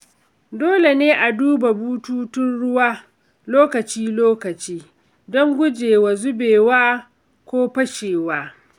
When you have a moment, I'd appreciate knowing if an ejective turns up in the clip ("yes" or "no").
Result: no